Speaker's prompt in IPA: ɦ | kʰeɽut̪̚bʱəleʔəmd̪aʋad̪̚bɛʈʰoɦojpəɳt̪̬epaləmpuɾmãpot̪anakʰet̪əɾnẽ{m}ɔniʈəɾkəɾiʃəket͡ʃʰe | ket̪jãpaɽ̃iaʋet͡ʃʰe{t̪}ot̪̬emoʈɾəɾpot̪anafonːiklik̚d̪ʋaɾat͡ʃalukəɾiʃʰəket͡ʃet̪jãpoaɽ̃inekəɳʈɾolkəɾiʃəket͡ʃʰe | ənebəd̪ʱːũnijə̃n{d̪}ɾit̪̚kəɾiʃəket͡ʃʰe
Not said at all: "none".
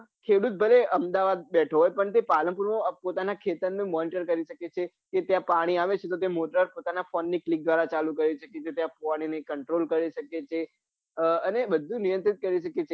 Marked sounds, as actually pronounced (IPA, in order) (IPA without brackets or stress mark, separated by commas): m, t̪, t̪